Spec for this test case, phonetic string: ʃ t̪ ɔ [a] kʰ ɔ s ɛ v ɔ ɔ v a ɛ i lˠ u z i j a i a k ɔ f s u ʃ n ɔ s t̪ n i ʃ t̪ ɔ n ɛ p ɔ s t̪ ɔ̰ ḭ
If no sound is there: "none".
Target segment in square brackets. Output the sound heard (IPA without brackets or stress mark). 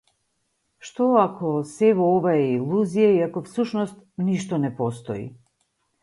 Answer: a